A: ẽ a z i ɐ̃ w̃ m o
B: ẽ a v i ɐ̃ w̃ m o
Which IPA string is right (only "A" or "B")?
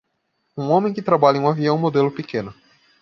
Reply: B